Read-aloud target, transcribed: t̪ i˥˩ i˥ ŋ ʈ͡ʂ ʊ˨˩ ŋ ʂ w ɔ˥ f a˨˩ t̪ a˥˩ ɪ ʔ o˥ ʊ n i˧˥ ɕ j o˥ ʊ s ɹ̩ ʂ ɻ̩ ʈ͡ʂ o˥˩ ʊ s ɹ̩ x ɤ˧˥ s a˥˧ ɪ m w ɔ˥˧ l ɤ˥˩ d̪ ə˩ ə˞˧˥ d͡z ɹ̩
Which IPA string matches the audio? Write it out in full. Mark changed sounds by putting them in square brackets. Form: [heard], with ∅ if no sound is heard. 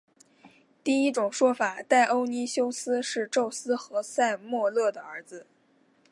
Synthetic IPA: t̪ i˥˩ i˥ [∅] ʈ͡ʂ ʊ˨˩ ŋ ʂ w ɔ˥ f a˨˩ t̪ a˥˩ ɪ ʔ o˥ ʊ n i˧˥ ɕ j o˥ ʊ s ɹ̩ ʂ ɻ̩ ʈ͡ʂ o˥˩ ʊ s ɹ̩ x ɤ˧˥ s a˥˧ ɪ m w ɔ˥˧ l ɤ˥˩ d̪ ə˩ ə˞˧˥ d͡z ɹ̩